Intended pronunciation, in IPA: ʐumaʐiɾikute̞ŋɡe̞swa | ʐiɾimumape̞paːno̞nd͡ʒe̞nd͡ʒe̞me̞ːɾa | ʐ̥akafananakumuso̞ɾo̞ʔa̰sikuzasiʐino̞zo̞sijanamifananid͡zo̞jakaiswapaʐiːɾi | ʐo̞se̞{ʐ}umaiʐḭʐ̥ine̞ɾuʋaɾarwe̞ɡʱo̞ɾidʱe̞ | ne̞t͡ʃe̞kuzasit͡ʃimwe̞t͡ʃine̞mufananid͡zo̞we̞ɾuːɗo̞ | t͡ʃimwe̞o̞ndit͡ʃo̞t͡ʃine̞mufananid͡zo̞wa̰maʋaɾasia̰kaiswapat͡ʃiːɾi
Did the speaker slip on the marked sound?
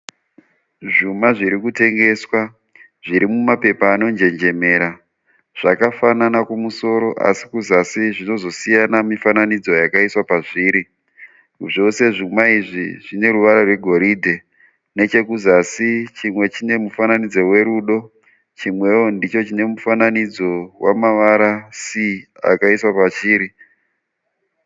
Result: no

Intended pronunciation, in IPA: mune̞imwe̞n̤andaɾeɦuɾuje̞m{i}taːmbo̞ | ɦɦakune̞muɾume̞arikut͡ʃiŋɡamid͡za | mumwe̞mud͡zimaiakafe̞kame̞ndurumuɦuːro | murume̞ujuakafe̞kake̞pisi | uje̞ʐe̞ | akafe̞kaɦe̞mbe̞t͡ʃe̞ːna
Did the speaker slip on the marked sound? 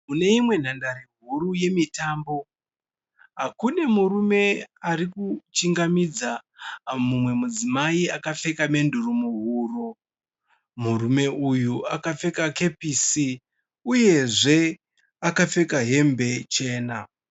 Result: no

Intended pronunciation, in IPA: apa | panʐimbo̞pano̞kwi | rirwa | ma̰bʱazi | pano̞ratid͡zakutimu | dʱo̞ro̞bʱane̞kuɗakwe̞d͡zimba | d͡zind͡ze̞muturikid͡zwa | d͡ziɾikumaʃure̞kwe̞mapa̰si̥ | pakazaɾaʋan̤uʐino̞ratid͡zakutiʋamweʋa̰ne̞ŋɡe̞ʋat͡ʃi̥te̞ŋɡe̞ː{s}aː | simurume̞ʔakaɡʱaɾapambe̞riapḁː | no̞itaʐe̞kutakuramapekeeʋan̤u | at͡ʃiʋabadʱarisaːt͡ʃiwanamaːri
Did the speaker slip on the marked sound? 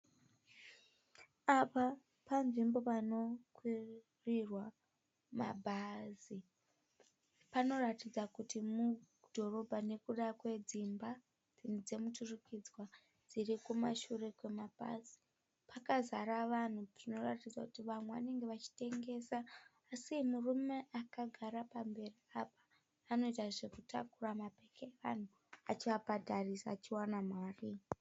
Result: no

